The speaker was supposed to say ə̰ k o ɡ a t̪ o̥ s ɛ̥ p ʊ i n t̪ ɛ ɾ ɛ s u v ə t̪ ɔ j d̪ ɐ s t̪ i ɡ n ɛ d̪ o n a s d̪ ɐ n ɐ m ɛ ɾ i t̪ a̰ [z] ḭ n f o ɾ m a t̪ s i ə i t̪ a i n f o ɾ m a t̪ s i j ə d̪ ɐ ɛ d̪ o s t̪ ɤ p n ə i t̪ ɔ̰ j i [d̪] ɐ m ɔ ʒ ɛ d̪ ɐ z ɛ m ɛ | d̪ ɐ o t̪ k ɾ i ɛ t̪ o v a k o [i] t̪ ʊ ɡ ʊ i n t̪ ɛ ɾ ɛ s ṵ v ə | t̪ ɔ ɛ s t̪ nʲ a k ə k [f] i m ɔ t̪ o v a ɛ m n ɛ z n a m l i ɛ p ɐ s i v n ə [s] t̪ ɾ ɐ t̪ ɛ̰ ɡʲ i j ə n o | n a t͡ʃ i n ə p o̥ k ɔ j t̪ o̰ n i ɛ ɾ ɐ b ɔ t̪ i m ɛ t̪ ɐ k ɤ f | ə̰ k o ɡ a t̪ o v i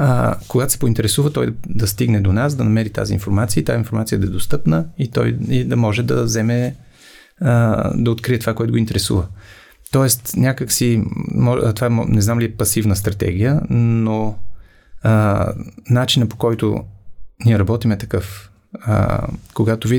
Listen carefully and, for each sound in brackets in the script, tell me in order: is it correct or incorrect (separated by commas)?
correct, correct, incorrect, incorrect, correct